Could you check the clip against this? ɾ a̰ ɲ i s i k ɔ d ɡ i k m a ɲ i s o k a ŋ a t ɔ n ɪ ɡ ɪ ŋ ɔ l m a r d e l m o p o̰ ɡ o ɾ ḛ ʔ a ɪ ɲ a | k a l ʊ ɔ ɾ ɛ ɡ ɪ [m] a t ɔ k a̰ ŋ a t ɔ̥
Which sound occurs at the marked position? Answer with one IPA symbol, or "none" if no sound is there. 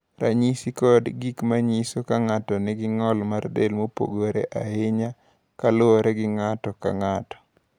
ŋ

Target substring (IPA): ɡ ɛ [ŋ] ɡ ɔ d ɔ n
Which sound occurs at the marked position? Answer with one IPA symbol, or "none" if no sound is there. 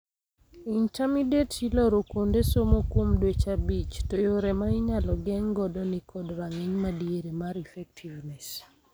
ŋ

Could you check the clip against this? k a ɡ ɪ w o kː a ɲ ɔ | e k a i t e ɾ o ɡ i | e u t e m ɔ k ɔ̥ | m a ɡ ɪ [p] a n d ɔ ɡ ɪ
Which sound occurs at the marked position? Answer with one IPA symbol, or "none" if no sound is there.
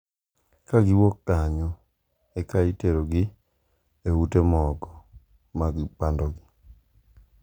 p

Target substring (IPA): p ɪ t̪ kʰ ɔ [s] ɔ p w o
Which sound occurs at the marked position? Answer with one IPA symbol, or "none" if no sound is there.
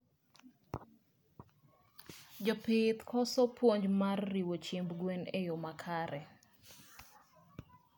s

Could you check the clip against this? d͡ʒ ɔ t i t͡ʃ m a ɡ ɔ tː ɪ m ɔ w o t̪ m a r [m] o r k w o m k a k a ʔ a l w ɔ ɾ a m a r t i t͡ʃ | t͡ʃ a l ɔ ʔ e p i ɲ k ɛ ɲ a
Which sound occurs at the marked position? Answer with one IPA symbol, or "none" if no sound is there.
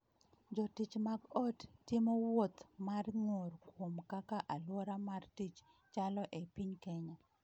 ŋ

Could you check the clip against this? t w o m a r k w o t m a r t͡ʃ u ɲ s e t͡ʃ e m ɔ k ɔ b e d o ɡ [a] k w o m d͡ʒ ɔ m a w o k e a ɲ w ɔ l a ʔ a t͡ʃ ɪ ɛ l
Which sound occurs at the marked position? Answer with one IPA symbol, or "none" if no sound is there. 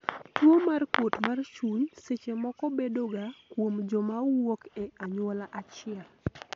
a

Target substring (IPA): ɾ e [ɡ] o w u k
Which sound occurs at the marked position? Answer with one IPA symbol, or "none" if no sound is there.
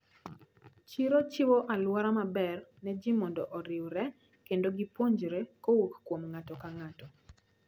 k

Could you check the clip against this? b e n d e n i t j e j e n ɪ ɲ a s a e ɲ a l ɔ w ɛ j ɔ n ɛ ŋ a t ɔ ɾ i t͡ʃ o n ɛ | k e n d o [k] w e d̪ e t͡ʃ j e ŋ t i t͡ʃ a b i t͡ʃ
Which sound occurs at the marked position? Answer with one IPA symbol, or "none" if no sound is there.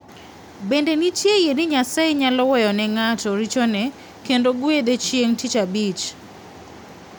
ɡ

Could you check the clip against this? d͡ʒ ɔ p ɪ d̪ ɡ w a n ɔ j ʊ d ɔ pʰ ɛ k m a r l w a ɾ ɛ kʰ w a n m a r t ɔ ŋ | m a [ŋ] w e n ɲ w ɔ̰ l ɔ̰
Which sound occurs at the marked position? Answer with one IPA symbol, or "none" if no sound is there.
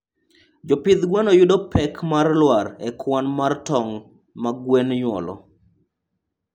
ɡ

